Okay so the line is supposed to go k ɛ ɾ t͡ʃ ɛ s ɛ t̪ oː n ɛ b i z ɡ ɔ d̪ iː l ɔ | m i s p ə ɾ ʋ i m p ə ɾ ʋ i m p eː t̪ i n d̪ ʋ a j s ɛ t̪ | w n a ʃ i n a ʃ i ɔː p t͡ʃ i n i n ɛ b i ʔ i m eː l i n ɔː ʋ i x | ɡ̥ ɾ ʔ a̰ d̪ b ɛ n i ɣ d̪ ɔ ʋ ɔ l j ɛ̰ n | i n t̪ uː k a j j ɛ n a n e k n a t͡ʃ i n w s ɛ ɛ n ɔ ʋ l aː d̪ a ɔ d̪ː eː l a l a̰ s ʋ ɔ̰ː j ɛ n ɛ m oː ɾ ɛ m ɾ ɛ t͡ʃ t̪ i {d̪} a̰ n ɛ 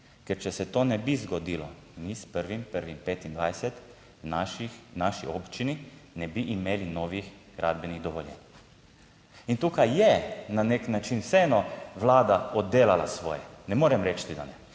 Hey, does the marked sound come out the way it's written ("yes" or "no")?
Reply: yes